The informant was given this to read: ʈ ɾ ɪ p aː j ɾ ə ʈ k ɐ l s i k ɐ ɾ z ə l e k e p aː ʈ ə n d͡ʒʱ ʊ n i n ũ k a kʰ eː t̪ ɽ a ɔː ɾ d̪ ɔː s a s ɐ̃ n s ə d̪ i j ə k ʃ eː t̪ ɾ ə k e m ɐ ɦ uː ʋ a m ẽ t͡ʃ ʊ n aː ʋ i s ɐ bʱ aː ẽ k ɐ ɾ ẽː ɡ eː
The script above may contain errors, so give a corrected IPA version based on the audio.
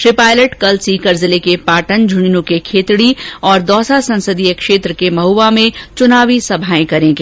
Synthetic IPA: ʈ ɾ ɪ p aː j l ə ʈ k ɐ l s i k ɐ ɾ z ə l e k e p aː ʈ ə n d͡ʒʱ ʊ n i n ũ k e kʰ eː t̪ ɽ i ɔː ɾ d̪ ɔː s a s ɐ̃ n s ə d̪ i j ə k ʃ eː t̪ ɾ ə k e m ɐ ɦ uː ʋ a m ẽ t͡ʃ ʊ n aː ʋ i s ɐ bʱ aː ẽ k ɐ ɾ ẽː ɡ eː